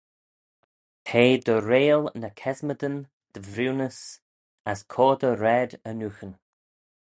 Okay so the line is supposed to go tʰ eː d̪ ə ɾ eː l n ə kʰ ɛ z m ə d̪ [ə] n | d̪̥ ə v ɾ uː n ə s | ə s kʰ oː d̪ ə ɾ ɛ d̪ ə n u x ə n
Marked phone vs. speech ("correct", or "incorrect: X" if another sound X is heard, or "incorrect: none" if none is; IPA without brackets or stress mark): correct